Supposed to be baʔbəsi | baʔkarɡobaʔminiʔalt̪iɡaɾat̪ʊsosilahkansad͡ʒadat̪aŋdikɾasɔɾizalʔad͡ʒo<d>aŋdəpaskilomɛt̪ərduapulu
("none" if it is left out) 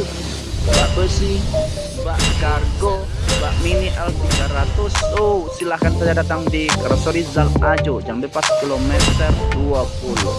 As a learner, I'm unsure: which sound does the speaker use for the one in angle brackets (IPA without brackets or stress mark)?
d͡ʒ